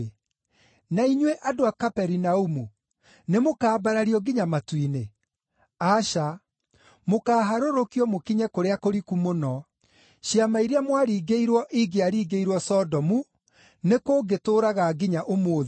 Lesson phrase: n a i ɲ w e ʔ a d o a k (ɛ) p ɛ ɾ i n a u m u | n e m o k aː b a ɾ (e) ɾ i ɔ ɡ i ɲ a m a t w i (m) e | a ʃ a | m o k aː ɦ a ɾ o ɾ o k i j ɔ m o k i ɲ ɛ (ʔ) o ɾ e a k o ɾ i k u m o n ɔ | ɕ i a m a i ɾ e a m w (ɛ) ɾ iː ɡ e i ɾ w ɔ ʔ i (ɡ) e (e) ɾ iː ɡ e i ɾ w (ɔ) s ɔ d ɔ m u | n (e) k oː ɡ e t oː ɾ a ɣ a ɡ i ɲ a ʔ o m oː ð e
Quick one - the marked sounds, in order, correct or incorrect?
incorrect: a, incorrect: a, incorrect: n, incorrect: k, incorrect: a, correct, incorrect: a, correct, correct

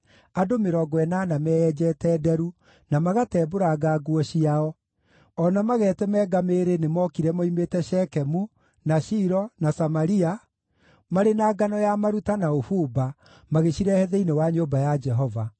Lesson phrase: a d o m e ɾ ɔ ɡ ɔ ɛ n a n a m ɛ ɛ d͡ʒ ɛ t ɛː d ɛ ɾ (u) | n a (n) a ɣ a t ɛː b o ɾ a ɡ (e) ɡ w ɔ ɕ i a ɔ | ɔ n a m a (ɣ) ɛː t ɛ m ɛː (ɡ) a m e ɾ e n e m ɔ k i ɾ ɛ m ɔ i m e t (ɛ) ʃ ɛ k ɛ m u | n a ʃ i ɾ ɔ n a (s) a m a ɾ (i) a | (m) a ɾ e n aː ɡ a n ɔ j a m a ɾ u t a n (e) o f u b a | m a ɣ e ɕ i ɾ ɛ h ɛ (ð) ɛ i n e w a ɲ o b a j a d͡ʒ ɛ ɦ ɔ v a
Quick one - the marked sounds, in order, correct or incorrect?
correct, incorrect: m, incorrect: a, correct, correct, correct, correct, correct, correct, incorrect: a, correct

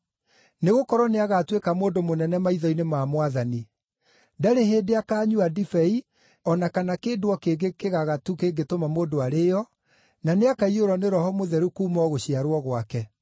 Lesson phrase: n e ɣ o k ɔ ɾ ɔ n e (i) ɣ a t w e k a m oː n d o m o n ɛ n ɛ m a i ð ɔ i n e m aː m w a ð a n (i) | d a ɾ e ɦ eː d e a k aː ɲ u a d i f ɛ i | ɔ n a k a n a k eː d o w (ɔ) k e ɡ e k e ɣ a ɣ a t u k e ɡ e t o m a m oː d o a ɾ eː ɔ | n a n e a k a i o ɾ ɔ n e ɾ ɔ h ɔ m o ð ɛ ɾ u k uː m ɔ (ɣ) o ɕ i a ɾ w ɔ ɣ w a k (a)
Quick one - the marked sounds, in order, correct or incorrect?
incorrect: a, correct, correct, correct, incorrect: ɛ

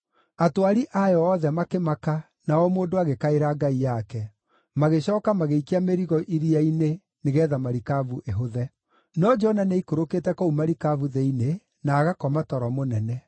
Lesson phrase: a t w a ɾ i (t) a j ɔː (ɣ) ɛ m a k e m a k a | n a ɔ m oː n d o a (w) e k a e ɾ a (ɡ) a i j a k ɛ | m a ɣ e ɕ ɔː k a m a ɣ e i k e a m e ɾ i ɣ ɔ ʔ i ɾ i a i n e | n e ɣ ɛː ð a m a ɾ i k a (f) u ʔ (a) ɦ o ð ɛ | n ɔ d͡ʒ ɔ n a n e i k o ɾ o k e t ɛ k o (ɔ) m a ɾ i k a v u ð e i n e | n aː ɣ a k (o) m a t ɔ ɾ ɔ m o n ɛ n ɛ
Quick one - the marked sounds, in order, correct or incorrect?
incorrect: ʔ, incorrect: ð, incorrect: ɣ, correct, incorrect: v, incorrect: e, incorrect: u, incorrect: ɔ

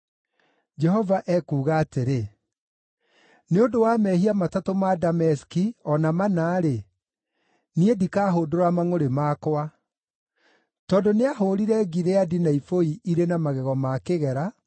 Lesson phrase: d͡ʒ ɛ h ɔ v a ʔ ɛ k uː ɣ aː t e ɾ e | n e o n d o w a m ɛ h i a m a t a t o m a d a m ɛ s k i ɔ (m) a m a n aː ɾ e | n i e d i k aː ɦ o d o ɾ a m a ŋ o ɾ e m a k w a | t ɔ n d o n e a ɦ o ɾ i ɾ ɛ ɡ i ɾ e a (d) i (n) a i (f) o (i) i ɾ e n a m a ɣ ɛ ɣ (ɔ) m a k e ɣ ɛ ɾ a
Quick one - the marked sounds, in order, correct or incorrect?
incorrect: n, correct, correct, correct, correct, correct

